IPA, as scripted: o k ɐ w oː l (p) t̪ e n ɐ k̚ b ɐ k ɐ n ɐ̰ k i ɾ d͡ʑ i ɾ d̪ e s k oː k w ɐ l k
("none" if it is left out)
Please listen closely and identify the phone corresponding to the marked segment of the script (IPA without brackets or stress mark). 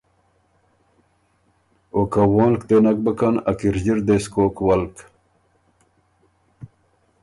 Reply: k